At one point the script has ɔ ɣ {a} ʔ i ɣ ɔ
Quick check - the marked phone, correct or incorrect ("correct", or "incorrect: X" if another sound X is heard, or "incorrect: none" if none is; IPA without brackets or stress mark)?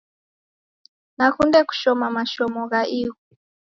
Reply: correct